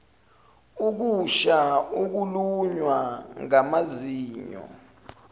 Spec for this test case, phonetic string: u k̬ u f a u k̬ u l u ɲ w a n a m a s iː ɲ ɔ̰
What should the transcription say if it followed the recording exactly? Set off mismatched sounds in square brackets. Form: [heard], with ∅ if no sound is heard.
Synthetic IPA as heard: u k̬ u [ʃ] a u k̬ u l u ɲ w a [ŋ] a m a [z] iː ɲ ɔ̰